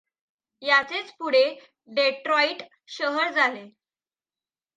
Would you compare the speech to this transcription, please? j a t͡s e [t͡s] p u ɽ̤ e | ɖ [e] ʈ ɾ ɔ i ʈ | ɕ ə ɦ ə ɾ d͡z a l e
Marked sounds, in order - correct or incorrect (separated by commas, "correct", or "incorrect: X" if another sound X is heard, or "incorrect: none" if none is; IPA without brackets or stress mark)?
correct, correct